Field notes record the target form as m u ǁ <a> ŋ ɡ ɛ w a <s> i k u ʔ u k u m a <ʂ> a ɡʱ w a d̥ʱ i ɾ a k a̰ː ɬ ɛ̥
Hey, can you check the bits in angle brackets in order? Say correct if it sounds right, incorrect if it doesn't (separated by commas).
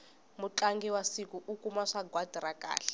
correct, correct, correct